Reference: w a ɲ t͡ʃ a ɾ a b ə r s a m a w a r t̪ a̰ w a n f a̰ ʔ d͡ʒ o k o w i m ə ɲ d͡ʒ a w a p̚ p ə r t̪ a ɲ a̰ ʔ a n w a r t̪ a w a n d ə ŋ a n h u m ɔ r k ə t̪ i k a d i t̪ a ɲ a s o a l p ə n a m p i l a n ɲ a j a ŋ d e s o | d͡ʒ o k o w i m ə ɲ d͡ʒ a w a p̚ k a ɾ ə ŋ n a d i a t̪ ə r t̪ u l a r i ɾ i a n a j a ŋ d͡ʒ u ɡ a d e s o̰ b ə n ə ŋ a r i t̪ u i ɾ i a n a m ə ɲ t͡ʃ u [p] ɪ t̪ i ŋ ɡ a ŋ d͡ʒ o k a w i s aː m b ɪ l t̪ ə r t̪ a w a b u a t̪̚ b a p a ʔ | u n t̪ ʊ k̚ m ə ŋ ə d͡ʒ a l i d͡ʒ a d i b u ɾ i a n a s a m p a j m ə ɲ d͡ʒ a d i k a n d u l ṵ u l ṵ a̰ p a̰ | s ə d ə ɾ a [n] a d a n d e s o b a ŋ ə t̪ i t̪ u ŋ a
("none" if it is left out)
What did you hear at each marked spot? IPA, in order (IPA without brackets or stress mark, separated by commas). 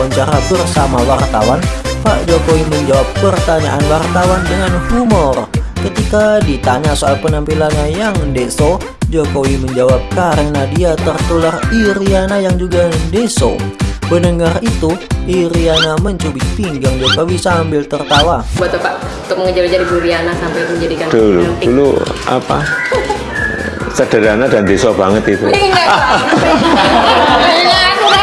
b, n